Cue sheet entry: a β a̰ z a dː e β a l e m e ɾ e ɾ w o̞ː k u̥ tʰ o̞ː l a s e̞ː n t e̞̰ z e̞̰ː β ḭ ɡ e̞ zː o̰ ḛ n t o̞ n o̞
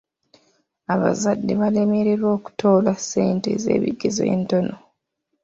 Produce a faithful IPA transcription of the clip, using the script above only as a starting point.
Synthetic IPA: a β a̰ z a dː e β a l e m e ɾ e ɾ w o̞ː k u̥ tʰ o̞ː l a s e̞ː n t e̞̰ z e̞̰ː β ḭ ɡ e̞ z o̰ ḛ n t o̞ n o̞